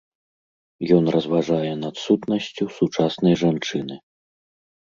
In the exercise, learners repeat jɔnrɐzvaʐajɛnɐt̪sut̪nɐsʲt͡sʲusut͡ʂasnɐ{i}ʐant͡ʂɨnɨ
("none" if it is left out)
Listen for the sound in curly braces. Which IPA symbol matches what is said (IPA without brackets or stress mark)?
j